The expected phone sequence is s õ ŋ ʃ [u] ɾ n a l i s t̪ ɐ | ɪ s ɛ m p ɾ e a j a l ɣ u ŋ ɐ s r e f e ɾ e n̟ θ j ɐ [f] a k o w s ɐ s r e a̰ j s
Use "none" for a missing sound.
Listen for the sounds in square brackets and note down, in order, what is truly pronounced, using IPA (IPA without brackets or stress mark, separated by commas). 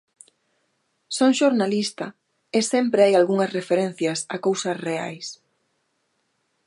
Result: o, s